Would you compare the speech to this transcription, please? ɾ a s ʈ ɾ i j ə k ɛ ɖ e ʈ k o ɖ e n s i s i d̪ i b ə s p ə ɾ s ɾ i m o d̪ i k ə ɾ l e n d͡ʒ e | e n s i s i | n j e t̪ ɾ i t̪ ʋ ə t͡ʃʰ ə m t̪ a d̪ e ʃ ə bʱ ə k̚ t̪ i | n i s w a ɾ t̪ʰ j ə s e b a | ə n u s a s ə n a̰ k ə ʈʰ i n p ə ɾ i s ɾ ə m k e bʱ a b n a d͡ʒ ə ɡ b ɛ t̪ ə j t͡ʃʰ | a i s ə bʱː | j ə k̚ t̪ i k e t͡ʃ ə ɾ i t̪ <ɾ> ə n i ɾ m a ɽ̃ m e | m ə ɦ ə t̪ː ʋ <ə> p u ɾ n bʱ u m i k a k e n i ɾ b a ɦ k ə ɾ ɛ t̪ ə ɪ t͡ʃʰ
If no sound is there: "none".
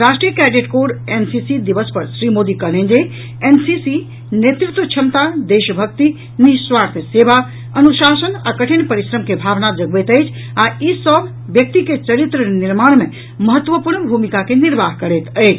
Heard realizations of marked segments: ɾ, ə

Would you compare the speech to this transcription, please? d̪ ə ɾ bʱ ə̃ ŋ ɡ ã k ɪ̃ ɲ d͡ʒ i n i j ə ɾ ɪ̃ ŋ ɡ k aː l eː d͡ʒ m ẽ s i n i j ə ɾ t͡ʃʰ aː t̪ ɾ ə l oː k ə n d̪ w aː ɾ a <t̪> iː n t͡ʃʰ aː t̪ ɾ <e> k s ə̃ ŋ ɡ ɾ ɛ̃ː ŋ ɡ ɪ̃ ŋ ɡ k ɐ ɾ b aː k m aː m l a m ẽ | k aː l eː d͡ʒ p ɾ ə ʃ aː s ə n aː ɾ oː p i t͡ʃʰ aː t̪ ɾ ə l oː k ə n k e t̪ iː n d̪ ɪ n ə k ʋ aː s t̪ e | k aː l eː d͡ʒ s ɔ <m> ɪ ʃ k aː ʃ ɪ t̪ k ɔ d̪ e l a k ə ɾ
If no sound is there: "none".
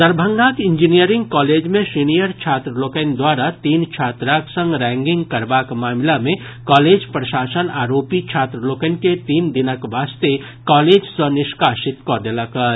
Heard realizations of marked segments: t̪, a, n

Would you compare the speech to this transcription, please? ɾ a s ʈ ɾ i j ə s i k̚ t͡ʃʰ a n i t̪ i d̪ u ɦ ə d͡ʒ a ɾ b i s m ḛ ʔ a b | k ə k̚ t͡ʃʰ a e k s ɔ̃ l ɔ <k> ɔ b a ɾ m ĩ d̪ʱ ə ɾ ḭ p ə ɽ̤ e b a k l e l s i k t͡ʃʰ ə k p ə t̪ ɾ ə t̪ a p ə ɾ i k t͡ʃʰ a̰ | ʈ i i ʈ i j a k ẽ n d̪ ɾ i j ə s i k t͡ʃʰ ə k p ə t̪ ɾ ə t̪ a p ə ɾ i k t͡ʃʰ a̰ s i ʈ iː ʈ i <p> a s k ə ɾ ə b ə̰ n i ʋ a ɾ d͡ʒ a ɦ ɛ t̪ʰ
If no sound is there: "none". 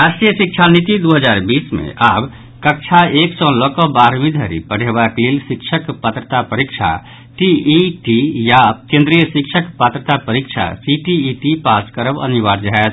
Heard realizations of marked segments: k, p

